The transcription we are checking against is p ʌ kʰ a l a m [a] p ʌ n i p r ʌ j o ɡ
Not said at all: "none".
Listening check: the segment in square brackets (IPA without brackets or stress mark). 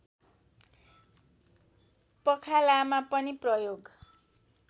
a